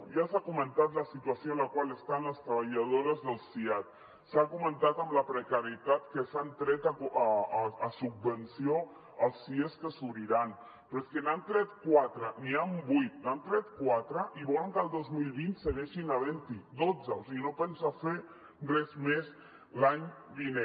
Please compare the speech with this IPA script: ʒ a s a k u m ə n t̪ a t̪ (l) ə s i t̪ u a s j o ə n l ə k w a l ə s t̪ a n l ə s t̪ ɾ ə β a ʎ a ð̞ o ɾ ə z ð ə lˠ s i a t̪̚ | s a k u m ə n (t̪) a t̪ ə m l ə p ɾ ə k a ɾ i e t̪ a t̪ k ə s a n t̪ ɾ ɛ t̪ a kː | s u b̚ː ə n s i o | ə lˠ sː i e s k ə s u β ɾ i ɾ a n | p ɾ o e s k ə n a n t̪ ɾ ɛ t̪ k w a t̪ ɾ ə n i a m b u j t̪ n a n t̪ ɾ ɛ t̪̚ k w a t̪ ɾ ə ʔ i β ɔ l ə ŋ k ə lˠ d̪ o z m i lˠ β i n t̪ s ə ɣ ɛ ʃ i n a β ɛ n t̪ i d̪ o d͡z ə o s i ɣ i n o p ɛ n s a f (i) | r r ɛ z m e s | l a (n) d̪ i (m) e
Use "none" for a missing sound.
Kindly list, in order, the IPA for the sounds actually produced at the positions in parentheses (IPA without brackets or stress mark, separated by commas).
l, t̪, e, ɲ, n